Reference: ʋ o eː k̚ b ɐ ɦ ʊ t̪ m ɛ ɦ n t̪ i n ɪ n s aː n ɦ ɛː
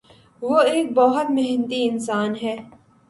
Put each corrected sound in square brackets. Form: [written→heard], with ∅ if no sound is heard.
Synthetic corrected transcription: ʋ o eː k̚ b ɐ ɦ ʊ t̪ m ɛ ɦ n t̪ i [n→∅] ɪ n s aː n ɦ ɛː